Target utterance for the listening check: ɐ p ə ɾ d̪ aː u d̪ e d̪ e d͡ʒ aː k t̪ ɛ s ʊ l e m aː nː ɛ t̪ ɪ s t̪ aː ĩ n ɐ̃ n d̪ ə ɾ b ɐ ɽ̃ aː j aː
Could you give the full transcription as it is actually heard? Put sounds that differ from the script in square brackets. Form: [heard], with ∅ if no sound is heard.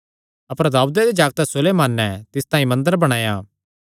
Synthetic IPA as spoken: ɐ p ə ɾ d̪ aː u d̪ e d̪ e d͡ʒ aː [ɡ] t̪ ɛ s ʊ l e m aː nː ɛ t̪ ɪ s t̪ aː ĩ [m] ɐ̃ n d̪ ə ɾ b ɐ ɽ̃ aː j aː